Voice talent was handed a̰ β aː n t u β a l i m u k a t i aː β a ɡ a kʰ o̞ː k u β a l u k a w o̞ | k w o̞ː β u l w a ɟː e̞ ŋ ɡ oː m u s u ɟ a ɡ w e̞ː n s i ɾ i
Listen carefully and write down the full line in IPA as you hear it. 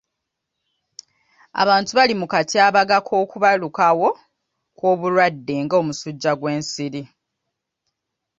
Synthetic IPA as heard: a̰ β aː n t u β a l i m u k a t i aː β a ɡ a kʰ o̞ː k u β a l u k a w o̞ | k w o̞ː β u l w a dː e̞ ŋ ɡ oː m u s u ɟː a ɡ w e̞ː n s i ɾ i